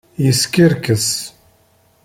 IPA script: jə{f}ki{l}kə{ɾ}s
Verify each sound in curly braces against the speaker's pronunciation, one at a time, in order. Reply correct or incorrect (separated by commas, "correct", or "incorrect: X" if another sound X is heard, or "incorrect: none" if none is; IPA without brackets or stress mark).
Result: incorrect: s, incorrect: ɾ, incorrect: none